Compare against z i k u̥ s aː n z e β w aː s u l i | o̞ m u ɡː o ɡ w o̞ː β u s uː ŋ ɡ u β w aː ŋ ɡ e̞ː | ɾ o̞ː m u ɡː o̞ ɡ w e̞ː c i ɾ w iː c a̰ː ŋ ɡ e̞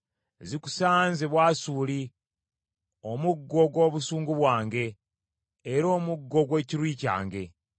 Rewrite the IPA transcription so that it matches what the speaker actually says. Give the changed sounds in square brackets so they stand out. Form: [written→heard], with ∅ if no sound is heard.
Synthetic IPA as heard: z i k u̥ s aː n z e β w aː s u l i | o̞ m u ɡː o ɡ w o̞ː β u s uː ŋ ɡ u β w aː ŋ ɡ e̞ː | ɾ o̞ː m u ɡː o̞ ɡ w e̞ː c i ɾ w iː c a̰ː ŋ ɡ e̞